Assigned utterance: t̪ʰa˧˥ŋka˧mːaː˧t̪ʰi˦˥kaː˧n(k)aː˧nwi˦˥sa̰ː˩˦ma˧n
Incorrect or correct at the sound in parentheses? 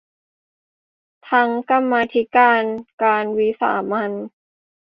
correct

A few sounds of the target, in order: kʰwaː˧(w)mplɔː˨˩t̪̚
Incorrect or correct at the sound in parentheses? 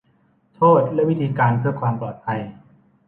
incorrect: none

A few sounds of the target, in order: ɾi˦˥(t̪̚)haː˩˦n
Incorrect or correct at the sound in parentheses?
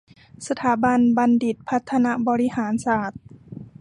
incorrect: none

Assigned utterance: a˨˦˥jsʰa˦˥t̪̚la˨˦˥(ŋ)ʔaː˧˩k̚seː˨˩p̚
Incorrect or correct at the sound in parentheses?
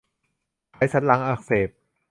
correct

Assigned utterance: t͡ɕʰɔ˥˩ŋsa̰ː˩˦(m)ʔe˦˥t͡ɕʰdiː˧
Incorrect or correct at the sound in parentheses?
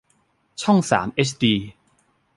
correct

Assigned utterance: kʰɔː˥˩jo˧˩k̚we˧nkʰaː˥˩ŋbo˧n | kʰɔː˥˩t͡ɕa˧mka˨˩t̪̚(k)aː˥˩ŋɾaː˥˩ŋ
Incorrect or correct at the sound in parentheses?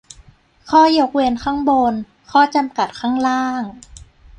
incorrect: kʰ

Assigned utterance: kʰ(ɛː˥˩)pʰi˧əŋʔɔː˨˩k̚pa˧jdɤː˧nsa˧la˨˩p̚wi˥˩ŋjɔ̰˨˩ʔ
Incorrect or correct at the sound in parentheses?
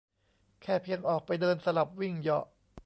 correct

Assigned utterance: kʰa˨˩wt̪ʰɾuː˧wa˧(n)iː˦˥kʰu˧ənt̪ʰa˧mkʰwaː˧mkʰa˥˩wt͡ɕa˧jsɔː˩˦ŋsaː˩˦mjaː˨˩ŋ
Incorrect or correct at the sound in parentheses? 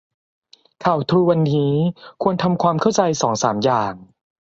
incorrect: nː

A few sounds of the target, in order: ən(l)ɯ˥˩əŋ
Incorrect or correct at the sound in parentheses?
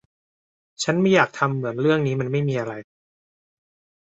incorrect: ɾ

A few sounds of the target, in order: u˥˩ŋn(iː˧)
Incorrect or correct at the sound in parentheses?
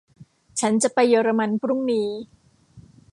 correct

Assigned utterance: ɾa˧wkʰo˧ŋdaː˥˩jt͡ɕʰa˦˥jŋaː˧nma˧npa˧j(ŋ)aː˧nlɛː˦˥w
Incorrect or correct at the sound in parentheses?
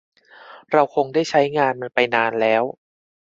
incorrect: n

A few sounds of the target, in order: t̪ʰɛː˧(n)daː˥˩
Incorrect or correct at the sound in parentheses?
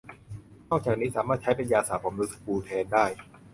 correct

